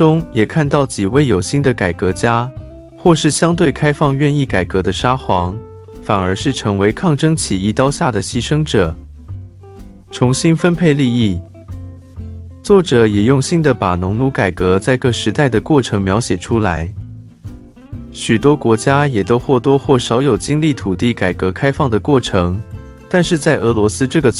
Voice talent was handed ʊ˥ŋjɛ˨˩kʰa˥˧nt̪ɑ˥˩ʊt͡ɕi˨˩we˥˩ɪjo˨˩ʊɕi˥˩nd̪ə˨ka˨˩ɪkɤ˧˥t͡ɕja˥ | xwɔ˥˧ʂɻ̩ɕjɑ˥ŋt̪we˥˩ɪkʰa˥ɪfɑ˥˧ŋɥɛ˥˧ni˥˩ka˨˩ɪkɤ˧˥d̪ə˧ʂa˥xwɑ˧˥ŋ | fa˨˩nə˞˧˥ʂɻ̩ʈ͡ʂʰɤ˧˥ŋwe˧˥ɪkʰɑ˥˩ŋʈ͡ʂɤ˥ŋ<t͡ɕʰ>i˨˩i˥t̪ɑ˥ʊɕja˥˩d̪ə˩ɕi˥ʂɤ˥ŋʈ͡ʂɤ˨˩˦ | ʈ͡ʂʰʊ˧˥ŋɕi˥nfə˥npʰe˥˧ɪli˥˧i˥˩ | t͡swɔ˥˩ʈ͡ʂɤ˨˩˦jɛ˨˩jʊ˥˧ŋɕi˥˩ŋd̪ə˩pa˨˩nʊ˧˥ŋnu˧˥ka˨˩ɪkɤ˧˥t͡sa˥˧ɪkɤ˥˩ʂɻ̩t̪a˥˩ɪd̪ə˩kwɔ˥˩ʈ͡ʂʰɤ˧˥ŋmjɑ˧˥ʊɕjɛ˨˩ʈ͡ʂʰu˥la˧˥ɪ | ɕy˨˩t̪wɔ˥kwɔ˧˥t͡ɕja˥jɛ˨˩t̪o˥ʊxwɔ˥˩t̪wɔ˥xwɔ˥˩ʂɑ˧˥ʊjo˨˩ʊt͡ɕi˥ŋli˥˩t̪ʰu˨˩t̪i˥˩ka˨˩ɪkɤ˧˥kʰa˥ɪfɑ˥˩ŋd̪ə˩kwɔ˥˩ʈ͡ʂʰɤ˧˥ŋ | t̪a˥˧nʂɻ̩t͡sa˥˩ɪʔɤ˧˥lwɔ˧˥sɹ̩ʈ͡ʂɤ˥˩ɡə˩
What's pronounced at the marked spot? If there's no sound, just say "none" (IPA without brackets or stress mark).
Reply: t͡ɕʰ